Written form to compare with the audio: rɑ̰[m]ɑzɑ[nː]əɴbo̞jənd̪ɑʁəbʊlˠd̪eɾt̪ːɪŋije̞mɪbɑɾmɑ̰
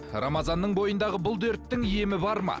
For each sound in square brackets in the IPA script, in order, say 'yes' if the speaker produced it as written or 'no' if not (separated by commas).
yes, yes